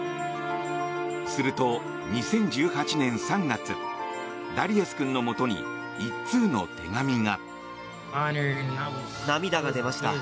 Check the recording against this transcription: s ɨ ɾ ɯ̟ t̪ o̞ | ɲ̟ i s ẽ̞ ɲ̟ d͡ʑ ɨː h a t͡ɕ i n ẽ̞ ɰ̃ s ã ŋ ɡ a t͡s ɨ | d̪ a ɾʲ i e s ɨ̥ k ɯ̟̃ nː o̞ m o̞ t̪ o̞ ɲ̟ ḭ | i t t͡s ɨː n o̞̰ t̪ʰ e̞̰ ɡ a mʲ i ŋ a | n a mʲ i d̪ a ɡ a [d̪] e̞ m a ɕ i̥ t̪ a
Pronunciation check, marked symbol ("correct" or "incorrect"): correct